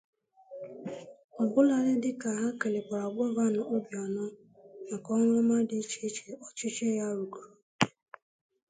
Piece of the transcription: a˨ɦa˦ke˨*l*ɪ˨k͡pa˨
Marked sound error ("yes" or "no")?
no